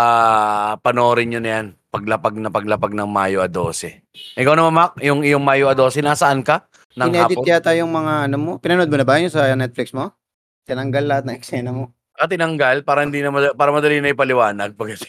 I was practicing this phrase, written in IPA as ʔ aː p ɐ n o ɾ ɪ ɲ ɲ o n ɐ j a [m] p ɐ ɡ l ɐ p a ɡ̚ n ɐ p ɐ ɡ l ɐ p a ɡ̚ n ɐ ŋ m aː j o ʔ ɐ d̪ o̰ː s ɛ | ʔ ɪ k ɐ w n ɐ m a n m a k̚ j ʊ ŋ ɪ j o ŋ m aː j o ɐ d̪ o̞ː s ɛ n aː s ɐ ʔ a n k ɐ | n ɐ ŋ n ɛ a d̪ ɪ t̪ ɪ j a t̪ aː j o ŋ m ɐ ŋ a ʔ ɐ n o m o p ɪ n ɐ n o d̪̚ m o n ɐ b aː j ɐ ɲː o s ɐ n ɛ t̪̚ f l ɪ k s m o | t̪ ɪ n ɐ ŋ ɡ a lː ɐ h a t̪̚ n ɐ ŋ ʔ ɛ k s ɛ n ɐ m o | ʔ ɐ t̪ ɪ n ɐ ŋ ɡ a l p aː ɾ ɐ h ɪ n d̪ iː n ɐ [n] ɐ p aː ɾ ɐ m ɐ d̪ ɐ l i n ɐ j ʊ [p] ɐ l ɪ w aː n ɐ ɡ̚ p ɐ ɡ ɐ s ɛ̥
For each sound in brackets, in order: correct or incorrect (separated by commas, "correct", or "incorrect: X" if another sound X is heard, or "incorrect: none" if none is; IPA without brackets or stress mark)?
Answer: incorrect: n, incorrect: m, correct